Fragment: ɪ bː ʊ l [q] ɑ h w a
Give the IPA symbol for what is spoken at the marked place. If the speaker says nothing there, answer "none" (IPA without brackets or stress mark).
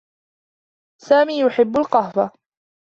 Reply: q